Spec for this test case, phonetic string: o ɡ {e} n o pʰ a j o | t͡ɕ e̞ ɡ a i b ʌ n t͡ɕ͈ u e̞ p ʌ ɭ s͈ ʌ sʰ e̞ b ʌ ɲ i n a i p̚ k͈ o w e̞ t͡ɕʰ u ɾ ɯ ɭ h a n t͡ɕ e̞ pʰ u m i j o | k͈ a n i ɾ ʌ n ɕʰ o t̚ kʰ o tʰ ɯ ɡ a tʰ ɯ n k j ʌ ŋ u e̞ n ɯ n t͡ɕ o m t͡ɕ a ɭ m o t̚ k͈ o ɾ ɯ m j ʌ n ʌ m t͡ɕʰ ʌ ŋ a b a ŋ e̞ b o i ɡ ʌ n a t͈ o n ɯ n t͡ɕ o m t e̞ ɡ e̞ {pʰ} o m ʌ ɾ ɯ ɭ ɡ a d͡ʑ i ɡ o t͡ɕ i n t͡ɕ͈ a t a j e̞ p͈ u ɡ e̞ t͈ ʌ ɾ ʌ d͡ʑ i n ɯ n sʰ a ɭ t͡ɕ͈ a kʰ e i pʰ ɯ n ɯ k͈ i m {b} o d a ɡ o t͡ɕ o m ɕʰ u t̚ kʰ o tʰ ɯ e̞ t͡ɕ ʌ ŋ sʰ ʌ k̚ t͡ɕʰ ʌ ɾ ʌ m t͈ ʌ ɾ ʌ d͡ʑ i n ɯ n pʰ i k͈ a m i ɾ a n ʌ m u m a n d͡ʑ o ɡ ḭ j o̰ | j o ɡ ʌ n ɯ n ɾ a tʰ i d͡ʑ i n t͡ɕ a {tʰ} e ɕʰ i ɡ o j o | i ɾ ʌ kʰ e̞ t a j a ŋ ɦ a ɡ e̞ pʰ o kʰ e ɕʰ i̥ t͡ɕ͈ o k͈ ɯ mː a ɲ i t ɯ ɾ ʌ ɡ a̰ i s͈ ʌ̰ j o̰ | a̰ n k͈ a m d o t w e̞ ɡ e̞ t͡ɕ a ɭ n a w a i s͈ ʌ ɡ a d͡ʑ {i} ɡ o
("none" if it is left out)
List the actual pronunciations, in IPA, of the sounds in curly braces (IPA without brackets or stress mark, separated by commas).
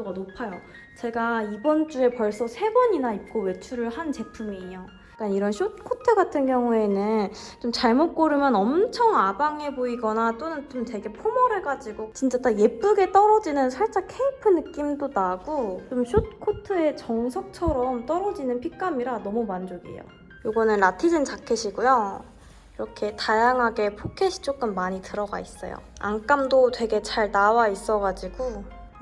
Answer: a, pʰ, d, kʰ, i